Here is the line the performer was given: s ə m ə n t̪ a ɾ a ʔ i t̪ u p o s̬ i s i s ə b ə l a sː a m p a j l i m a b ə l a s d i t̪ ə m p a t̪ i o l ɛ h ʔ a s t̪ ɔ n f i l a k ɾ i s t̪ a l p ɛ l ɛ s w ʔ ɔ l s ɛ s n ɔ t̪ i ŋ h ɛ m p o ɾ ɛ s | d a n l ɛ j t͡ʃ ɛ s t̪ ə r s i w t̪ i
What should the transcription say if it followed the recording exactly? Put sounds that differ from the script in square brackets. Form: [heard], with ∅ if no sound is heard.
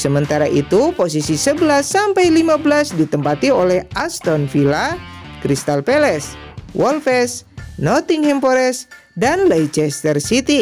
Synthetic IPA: s ə m ə n t̪ a ɾ a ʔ i t̪ u p o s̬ i s i s ə b ə l a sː a m p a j l i m a b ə l a s d i t̪ ə m p a t̪ i o l ɛ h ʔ a s t̪ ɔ n f i l a k ɾ i s t̪ a l p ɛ l ɛ s w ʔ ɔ l [f] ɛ s n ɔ t̪ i ŋ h ɛ m p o ɾ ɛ s | d a n l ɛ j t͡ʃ ɛ s t̪ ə r s i [∅] t̪ i